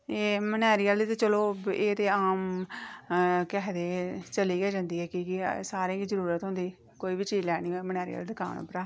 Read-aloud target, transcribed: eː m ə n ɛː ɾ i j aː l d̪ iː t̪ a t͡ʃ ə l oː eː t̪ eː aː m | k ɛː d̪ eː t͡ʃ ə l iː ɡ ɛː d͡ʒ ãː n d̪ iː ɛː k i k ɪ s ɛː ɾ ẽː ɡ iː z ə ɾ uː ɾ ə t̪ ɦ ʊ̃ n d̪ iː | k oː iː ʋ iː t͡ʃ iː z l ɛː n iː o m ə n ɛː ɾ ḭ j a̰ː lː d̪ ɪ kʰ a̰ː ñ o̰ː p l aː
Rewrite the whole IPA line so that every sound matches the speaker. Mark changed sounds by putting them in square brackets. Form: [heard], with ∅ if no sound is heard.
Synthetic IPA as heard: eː m ə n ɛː ɾ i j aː l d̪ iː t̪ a t͡ʃ ə l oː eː t̪ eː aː m | k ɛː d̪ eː t͡ʃ ə l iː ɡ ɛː d͡ʒ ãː n d̪ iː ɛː k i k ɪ s [aː] ɾ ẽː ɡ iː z ə ɾ uː ɾ ə t̪ ɦ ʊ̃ n d̪ iː | k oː iː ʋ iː t͡ʃ iː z l ɛː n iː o m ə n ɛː ɾ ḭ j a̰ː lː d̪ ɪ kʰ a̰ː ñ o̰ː p [ɾ] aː